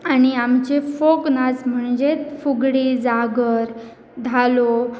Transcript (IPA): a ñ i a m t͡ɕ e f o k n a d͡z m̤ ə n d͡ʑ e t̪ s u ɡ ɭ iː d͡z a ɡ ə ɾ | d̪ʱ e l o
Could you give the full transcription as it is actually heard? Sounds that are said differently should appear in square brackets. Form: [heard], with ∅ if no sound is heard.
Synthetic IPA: a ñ i a m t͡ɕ e f o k n a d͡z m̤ ə [ɳ] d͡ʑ e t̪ [f] u ɡ [ɽ] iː d͡z a ɡ ə ɾ | d̪ʱ [a] l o